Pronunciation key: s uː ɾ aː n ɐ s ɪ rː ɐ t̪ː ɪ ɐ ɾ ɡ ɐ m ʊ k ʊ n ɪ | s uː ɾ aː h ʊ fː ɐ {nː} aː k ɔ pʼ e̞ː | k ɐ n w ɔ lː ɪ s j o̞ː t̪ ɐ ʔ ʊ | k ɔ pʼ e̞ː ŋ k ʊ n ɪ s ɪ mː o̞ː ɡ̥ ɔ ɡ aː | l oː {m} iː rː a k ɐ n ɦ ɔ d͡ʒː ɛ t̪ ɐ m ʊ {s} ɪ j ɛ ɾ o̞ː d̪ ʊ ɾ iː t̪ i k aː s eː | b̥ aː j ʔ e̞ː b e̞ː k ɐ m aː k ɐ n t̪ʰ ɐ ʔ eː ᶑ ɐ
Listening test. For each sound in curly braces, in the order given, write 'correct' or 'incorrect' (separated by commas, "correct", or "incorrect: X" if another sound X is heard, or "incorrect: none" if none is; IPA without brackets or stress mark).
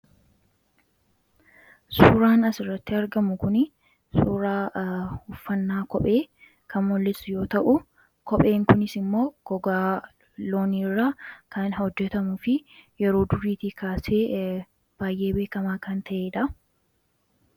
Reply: correct, incorrect: n, incorrect: f